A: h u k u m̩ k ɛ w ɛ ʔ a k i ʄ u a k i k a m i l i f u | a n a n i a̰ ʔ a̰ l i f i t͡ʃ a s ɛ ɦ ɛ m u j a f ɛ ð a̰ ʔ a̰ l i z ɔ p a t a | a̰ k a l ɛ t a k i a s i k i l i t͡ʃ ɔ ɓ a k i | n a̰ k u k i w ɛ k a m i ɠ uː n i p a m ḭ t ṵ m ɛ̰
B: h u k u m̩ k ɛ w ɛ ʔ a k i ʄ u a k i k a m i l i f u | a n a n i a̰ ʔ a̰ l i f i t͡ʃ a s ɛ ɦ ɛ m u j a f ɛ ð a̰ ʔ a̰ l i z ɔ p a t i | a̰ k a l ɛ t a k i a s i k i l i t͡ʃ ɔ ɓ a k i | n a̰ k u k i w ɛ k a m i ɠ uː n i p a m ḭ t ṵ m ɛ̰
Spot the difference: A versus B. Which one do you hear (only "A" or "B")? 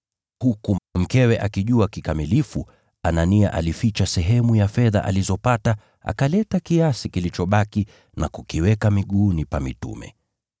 A